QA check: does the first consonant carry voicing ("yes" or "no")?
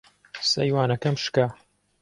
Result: no